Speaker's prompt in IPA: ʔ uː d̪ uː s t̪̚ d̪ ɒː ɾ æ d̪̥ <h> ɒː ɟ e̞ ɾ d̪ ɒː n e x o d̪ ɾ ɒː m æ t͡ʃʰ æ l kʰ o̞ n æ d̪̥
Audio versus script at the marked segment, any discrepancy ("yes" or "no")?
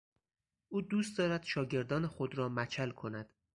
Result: yes